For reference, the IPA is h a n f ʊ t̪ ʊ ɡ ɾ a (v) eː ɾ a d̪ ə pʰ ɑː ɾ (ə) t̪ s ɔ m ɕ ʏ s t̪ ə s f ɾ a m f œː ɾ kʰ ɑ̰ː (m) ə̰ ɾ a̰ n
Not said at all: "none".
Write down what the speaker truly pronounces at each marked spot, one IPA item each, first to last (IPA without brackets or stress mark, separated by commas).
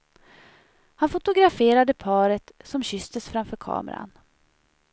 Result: f, ə, m